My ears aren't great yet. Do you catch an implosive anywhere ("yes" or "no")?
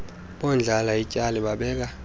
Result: yes